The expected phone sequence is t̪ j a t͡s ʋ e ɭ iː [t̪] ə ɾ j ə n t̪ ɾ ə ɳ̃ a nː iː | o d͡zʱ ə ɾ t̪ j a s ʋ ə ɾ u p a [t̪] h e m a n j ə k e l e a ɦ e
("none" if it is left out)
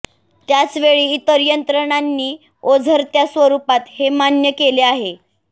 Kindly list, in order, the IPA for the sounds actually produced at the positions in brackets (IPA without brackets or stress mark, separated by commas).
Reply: t̪, t̪